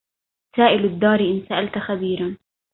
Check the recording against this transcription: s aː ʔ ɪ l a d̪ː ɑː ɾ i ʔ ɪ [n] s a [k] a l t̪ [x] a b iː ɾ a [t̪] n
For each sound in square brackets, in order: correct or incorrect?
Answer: correct, incorrect: ʔ, correct, incorrect: none

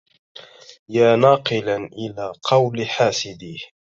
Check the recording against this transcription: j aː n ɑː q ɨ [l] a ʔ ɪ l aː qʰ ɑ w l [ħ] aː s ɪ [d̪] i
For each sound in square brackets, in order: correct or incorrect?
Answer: correct, correct, correct

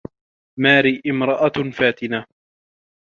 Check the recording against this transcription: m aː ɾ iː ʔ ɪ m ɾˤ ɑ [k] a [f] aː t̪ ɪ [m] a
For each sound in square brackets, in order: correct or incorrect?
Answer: incorrect: ʔ, correct, incorrect: n

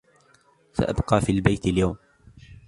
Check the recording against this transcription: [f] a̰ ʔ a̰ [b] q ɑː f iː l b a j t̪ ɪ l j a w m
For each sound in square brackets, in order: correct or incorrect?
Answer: incorrect: s, correct

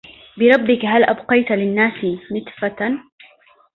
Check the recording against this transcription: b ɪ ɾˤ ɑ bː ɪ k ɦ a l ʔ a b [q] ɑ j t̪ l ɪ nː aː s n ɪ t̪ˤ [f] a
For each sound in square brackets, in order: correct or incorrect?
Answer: correct, correct

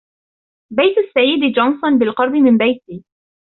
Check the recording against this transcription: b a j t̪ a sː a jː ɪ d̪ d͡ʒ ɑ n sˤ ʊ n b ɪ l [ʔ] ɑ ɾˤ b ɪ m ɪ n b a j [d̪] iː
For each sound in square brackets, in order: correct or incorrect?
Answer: incorrect: q, incorrect: t̪

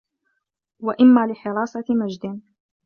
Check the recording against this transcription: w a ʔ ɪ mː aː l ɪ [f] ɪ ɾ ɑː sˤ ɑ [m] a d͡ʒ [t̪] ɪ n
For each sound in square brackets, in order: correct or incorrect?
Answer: incorrect: ħ, correct, incorrect: d̪

